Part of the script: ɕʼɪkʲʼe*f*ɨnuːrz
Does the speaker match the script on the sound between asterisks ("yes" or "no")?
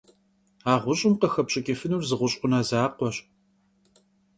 yes